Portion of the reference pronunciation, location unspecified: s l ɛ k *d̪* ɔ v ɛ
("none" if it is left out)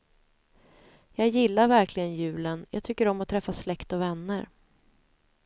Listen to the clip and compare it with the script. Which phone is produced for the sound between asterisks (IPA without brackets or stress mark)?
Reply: t̪